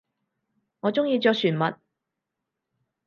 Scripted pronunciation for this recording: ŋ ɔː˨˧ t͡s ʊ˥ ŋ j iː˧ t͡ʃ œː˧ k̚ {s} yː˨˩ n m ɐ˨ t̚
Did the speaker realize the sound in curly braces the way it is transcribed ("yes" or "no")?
yes